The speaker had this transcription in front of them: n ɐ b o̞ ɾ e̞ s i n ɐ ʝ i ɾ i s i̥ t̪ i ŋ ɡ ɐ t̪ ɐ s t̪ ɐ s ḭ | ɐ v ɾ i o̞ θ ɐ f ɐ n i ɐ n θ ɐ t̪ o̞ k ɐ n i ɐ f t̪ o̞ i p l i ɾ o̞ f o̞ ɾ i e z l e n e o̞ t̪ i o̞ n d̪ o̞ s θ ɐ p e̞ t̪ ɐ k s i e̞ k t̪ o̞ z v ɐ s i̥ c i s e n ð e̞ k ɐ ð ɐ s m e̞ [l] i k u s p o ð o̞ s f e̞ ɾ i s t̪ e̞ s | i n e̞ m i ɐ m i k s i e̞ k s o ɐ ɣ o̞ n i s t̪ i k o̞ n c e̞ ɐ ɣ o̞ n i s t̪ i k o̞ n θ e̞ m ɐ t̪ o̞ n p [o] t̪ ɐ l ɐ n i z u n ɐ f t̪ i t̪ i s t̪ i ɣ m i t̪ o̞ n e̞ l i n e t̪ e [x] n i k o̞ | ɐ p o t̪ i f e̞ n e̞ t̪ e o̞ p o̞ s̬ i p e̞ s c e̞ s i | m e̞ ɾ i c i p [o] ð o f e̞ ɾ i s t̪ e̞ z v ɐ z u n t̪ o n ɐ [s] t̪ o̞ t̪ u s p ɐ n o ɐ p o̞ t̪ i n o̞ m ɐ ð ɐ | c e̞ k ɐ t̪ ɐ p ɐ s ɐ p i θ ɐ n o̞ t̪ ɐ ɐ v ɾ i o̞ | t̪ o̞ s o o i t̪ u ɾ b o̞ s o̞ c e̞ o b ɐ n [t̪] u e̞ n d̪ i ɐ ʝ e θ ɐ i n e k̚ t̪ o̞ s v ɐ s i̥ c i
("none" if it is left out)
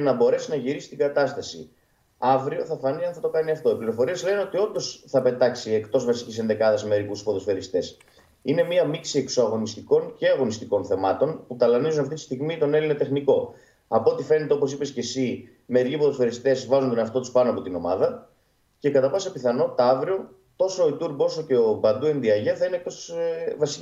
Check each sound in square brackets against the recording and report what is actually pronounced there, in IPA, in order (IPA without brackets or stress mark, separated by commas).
ɾ, u, x, o, f, d̪